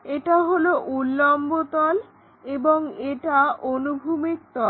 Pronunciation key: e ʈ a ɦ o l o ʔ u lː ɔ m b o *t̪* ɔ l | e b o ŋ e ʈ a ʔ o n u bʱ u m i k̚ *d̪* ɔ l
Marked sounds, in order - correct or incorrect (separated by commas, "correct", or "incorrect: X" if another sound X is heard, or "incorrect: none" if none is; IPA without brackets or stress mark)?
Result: correct, incorrect: t̪